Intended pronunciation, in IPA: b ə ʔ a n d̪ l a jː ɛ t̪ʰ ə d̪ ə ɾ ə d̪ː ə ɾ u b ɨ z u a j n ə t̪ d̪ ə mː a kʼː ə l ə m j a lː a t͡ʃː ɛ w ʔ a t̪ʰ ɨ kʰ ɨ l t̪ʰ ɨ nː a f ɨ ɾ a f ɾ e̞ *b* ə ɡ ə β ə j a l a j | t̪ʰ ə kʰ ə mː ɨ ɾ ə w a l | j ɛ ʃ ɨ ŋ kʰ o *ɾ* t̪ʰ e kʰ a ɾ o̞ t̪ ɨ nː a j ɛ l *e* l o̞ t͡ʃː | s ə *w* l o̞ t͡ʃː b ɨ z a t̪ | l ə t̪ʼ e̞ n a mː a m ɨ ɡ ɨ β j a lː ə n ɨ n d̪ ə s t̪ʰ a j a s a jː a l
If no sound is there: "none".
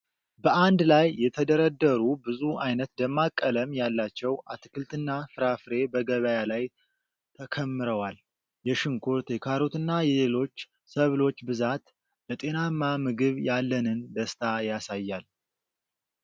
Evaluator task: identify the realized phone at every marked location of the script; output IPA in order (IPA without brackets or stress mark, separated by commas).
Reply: b, ɾ, e, β